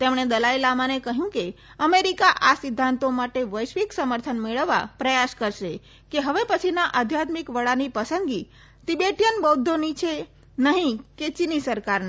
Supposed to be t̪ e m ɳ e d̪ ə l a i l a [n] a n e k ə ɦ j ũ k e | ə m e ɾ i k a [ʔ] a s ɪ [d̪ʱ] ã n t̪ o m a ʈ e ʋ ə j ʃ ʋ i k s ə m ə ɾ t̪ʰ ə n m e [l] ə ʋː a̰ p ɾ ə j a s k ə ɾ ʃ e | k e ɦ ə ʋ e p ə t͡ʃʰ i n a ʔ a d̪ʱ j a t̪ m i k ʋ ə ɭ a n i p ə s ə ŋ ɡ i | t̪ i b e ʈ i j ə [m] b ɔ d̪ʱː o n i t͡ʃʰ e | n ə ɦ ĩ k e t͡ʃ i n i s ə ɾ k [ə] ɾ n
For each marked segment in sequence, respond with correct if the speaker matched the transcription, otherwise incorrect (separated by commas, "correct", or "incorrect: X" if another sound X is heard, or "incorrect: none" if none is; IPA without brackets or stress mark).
incorrect: m, correct, incorrect: d̪ʱː, incorrect: ɭ, incorrect: n, incorrect: a